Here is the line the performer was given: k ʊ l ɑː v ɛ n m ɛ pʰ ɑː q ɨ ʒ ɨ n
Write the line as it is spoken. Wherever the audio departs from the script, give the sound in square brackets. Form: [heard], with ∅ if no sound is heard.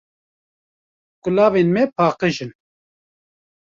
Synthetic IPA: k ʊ l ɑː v [e] n m ɛ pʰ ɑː q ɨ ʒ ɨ n